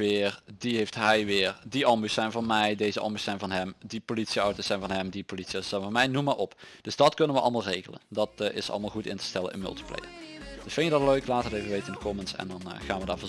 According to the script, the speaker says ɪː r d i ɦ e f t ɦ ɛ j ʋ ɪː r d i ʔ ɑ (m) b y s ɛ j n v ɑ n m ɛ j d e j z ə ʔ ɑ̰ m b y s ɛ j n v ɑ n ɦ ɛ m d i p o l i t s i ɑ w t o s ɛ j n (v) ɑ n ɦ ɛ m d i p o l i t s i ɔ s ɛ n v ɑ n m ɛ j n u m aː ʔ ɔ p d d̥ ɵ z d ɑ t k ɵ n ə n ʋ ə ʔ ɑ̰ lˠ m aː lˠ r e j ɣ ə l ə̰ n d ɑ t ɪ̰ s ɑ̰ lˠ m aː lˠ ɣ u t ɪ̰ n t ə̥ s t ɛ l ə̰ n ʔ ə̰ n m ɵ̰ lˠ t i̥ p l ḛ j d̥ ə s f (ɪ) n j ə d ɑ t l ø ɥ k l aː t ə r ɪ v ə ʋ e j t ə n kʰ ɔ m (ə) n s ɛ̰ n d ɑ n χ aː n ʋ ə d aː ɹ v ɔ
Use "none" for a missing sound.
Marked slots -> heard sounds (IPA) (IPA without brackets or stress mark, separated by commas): m, v, ɪ, ə